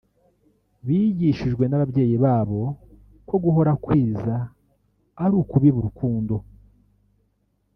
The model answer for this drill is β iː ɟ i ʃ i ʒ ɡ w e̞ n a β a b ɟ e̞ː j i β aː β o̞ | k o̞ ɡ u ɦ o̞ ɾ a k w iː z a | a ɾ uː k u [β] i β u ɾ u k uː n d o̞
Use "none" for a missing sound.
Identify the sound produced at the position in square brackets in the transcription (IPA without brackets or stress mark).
β